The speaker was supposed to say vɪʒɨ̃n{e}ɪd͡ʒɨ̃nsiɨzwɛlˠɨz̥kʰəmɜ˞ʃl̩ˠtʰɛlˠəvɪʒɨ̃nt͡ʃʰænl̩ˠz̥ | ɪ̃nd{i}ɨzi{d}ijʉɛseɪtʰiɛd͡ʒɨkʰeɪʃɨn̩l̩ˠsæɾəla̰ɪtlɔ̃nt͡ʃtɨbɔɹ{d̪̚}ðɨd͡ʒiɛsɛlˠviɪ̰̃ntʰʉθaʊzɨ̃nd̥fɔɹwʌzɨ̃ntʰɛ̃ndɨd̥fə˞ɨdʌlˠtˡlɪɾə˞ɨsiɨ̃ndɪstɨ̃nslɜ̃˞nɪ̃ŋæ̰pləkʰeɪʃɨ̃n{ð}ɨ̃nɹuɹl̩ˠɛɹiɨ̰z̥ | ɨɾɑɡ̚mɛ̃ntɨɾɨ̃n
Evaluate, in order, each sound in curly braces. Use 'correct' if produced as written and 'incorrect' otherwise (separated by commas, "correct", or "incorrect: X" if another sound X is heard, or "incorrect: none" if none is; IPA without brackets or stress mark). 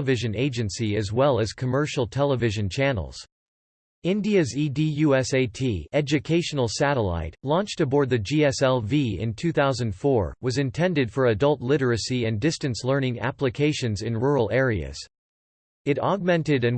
correct, correct, correct, correct, incorrect: z